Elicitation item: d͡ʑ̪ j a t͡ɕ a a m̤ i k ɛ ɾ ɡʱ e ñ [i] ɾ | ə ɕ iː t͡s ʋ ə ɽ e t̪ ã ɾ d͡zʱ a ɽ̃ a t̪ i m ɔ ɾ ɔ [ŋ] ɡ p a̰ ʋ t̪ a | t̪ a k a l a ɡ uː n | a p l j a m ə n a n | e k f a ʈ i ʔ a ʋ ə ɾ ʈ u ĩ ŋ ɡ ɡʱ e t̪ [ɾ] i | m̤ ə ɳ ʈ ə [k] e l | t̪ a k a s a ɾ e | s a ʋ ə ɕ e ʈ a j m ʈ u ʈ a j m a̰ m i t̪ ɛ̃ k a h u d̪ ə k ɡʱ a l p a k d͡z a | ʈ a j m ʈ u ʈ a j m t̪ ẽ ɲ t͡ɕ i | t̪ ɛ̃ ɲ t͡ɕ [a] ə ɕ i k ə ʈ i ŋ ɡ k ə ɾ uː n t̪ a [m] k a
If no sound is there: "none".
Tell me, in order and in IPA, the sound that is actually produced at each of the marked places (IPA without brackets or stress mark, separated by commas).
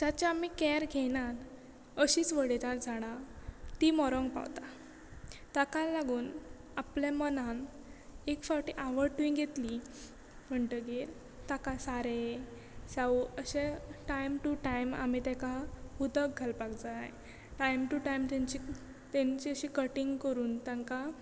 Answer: a, ŋ, l, ɡ, i, ŋ